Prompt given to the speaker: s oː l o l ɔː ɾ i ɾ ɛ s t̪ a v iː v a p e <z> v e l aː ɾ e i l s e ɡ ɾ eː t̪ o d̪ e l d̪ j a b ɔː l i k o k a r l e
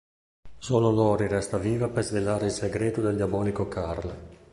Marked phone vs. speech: correct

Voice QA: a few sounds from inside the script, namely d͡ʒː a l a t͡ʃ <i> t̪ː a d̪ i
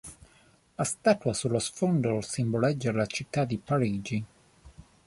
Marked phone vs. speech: correct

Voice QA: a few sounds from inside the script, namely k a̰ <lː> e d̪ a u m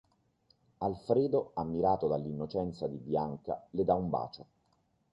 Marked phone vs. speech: incorrect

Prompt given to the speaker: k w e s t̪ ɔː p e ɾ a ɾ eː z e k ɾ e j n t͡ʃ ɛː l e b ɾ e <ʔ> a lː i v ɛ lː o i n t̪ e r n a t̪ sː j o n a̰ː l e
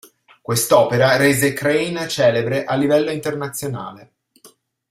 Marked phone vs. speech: correct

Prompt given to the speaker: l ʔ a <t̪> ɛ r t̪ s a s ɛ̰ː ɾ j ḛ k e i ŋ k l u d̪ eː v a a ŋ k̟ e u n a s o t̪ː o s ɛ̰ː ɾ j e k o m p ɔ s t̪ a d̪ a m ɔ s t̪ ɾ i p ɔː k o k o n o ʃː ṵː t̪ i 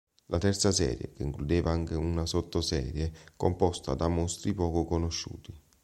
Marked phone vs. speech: correct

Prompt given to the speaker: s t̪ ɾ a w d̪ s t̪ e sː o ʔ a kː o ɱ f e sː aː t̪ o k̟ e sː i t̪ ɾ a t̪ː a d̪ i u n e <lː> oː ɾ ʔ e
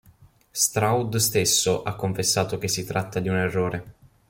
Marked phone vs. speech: incorrect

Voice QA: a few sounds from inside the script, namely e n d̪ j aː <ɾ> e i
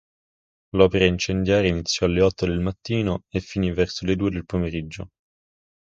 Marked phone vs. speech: correct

